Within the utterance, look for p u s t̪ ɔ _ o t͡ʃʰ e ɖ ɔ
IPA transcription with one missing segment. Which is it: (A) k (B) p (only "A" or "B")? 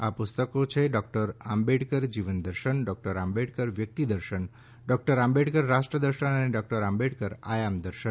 A